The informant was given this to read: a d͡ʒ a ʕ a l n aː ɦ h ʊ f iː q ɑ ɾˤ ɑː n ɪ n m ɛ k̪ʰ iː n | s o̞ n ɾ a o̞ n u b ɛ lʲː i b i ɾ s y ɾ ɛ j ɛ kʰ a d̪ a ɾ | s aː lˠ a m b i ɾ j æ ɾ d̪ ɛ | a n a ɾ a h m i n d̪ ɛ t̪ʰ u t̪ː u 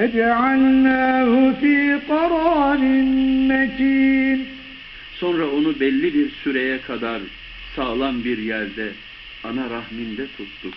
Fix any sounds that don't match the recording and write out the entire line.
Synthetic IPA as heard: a d͡ʒ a ʕ a l n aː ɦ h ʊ f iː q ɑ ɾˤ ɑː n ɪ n m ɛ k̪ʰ iː n | s o̞ n ɾ a o̞ n u b ɛ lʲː i b i ɾ s y ɾ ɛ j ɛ kʰ a d̪ a ɾ | s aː lˠ a n b i ɾ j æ ɾ d̪ ɛ | a n a ɾ a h m i n d̪ ɛ t̪ʰ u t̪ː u